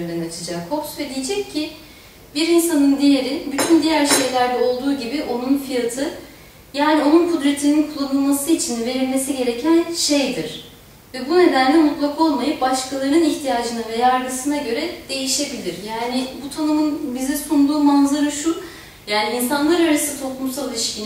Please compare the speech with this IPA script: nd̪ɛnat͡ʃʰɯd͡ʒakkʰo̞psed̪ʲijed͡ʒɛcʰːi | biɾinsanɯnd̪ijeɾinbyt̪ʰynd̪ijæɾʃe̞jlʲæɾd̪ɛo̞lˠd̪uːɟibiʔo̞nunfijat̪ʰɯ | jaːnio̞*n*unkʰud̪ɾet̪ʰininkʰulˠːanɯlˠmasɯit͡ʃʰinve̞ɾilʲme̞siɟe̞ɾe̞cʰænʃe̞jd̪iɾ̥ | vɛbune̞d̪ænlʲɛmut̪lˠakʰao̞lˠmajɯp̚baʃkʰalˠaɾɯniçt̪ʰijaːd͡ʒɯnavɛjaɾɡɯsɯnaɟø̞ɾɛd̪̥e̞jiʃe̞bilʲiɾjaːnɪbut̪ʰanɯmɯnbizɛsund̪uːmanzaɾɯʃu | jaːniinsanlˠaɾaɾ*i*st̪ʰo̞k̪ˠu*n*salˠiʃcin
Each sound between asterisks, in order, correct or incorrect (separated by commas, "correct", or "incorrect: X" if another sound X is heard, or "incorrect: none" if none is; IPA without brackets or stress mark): correct, incorrect: a, incorrect: m